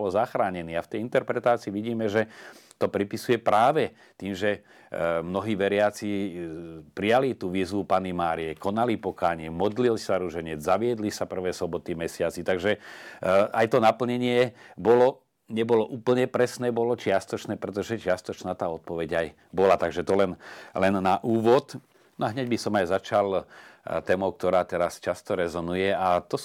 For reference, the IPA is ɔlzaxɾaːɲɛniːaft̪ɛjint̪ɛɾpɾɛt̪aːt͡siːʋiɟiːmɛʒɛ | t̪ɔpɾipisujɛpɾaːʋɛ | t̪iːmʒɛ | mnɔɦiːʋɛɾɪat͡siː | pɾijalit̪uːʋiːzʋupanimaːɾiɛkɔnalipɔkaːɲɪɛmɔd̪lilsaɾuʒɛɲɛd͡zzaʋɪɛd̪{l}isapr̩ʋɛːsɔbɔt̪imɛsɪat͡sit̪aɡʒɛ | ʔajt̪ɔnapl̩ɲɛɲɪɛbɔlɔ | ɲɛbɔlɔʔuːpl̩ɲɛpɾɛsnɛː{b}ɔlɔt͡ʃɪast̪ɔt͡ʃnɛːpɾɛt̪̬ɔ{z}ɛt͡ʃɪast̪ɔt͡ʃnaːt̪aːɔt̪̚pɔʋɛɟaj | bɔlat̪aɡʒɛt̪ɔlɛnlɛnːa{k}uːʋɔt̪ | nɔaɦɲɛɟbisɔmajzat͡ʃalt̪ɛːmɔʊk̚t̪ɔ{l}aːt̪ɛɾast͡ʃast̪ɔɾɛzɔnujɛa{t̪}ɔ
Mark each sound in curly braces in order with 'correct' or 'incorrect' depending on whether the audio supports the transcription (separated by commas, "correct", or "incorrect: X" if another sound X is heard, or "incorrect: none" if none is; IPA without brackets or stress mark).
correct, correct, incorrect: ʒ, incorrect: ʔ, incorrect: ɾ, correct